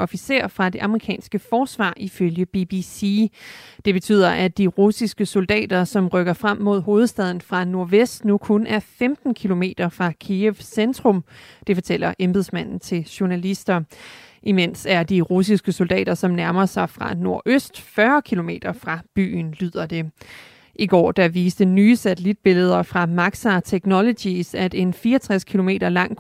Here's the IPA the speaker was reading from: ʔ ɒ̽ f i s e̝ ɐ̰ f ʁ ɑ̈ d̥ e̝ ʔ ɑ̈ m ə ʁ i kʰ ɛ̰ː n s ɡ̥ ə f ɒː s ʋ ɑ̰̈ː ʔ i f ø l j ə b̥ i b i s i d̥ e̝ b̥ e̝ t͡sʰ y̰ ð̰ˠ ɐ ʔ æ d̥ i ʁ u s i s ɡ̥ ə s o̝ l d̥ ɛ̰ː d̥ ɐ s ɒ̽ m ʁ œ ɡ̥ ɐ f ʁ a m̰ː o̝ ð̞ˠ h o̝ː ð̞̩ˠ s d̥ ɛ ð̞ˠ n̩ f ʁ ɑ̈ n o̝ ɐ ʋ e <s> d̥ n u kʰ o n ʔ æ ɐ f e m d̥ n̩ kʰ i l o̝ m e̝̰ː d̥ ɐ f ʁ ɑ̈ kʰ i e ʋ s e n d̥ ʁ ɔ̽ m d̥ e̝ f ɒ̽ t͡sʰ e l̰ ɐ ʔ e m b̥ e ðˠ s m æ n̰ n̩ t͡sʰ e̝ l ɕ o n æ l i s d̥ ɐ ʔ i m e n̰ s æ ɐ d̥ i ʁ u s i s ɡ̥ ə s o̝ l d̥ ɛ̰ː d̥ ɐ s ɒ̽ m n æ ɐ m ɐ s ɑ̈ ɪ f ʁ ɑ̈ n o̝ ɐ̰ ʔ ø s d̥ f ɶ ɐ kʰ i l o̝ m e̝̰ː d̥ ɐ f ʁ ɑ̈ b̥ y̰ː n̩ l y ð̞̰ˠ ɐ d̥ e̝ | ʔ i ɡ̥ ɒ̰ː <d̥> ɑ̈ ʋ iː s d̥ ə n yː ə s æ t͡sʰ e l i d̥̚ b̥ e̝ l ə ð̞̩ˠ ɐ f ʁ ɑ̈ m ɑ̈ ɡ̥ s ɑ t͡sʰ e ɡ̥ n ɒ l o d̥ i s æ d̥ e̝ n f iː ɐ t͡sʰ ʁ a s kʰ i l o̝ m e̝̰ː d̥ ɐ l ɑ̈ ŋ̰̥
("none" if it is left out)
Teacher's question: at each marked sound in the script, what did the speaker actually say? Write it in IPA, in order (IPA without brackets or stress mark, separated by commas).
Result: s, d̥